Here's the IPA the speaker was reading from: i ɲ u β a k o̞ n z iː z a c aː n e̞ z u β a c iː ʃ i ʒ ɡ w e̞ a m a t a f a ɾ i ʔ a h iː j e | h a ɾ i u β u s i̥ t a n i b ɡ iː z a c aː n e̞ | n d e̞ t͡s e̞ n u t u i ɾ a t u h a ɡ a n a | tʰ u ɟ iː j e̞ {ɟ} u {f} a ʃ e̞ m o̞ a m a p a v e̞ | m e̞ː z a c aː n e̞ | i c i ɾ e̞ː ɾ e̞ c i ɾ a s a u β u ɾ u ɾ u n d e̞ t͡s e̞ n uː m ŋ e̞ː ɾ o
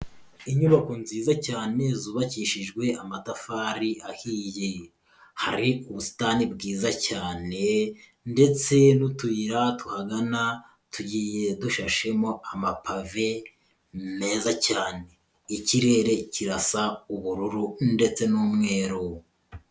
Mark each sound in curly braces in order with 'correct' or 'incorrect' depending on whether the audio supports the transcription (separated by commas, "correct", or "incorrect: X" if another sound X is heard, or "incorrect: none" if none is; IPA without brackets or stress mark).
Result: incorrect: d, incorrect: ʃ